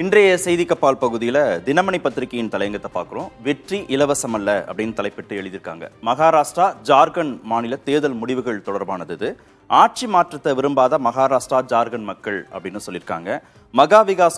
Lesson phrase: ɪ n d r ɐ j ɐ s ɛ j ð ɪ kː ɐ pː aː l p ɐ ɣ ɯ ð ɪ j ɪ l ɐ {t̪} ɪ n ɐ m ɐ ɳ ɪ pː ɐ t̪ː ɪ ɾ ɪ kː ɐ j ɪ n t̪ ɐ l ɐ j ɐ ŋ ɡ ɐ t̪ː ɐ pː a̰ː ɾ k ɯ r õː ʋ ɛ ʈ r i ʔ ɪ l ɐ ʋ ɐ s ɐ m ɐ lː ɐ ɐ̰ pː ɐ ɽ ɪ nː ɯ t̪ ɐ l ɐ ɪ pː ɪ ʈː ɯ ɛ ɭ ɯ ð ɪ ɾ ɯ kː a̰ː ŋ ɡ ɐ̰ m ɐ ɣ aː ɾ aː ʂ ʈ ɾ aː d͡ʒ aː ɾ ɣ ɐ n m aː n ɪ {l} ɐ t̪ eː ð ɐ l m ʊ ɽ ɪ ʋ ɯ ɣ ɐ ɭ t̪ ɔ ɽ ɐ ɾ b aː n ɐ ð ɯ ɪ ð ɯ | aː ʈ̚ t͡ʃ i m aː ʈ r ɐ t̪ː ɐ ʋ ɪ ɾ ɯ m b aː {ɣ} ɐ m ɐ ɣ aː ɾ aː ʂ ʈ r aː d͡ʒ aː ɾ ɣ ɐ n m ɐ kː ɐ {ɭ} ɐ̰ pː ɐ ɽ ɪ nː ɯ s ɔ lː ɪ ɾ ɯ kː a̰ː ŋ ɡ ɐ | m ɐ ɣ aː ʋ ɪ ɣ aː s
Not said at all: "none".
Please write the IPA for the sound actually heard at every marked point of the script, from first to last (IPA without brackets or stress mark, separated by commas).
d̪, l, ð, ɭ